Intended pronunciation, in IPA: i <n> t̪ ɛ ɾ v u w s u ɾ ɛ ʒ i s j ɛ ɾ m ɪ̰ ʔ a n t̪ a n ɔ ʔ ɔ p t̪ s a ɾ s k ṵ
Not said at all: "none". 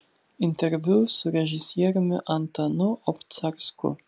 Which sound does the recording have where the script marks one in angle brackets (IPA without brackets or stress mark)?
n